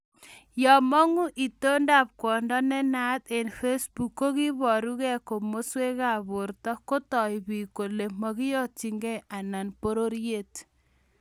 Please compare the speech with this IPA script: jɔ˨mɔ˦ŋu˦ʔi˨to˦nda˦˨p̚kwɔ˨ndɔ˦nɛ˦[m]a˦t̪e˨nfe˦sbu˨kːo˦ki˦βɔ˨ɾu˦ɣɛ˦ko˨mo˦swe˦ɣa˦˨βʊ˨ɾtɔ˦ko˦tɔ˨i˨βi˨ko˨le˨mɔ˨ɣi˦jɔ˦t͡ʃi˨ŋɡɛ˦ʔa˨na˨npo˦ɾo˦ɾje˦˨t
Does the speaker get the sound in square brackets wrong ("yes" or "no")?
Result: yes